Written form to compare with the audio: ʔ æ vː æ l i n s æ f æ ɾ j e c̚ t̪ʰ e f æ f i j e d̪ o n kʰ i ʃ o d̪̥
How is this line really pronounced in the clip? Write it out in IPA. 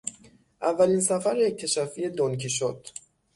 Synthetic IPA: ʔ æ vː æ l i n s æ f æ ɾ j e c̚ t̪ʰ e ʃ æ f i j e d̪ o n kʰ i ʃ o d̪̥